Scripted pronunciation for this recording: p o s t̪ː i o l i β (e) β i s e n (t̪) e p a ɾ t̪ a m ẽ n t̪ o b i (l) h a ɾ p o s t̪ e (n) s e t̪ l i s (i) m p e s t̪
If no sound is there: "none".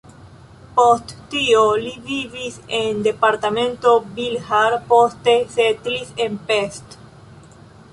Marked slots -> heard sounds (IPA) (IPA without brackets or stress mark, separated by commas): i, d̪, l, none, e